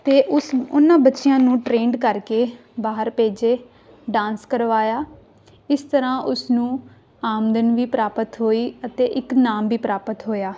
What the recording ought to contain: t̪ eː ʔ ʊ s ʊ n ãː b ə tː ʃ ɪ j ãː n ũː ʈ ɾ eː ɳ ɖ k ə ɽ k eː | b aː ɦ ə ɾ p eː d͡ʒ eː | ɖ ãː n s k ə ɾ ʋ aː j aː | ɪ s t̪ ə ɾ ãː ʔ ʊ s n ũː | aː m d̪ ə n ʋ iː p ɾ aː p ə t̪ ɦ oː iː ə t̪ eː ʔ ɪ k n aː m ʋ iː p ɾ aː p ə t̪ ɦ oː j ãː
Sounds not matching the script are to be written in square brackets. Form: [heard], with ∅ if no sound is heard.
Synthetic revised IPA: t̪ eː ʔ ʊ s ʊ n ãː b ə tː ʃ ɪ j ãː n ũː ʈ ɾ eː ɳ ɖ k ə [ɾ] k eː | b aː ɦ ə ɾ p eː d͡ʒ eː | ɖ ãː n s k ə ɾ ʋ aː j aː | ɪ s t̪ ə ɾ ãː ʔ ʊ s n ũː | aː m d̪ ə n ʋ iː p ɾ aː p ə t̪ ɦ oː iː ə t̪ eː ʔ ɪ k n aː m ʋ iː p ɾ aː p ə t̪ ɦ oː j [aː]